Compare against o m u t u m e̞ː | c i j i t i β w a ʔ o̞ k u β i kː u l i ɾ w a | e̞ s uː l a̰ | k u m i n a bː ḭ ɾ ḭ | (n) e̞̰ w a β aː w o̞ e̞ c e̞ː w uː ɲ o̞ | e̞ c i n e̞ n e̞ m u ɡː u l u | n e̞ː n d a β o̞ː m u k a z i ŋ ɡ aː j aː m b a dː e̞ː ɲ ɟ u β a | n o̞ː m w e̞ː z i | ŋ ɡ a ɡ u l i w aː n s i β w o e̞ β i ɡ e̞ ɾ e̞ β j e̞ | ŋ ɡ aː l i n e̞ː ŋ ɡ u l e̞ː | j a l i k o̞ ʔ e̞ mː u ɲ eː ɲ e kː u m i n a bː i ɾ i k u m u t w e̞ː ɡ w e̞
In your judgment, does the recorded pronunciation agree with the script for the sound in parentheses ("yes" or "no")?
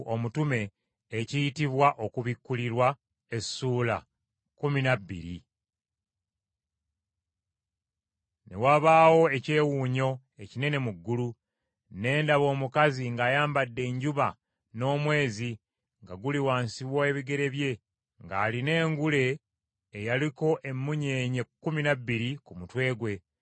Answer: yes